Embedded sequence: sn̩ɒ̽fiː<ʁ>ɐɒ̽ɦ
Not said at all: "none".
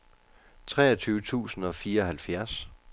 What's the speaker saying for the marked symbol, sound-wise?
none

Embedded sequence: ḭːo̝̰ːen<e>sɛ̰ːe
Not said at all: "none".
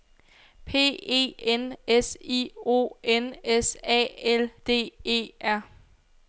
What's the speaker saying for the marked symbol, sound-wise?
e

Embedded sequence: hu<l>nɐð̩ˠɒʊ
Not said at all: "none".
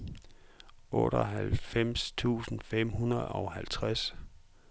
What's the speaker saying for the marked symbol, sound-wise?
none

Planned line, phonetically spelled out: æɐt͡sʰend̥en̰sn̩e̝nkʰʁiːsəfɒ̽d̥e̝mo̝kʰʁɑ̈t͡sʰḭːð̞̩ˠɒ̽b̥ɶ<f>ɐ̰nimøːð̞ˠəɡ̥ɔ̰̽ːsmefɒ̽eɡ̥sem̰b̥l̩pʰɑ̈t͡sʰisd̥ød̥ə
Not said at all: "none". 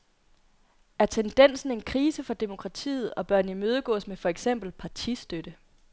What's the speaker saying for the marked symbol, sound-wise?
none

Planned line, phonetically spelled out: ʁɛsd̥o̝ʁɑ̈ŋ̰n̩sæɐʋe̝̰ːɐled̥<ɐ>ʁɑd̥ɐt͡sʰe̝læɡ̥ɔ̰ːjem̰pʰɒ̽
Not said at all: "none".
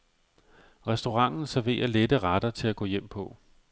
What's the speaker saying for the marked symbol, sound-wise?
ə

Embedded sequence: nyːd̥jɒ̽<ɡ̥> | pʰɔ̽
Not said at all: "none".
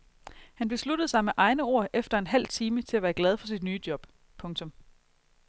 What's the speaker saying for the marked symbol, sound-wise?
b̥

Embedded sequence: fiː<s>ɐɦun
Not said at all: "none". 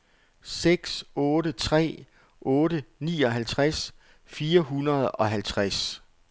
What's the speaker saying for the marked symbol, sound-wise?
none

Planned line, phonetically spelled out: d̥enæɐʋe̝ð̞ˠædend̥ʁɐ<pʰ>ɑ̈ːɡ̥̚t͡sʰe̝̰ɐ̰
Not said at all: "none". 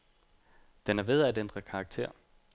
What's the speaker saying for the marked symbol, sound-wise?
kʰ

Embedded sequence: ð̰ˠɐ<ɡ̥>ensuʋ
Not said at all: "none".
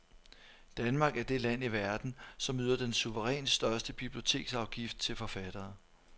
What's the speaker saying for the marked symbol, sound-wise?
d̥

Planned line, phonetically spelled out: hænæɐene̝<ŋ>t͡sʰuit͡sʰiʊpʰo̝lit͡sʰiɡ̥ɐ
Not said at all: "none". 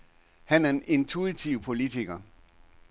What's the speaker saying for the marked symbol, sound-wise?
n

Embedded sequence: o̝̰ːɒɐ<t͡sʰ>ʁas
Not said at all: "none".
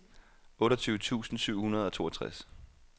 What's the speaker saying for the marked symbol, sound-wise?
t͡sʰ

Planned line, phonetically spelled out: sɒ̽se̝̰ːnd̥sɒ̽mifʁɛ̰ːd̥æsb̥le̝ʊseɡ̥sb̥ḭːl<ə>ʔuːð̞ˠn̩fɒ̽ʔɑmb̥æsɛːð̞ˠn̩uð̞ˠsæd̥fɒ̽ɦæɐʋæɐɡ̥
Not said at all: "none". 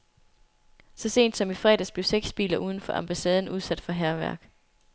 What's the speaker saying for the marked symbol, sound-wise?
ɐ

